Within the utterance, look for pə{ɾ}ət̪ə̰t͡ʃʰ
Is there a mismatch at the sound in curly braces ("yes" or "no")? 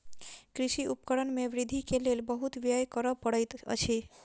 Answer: yes